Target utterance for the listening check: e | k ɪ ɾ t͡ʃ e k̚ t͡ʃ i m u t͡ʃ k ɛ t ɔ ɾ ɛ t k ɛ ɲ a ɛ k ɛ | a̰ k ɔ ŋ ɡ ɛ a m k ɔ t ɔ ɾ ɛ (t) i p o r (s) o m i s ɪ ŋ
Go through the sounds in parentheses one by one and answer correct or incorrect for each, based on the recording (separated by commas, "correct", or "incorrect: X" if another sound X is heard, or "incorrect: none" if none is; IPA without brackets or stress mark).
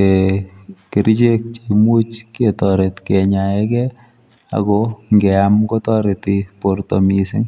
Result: correct, incorrect: t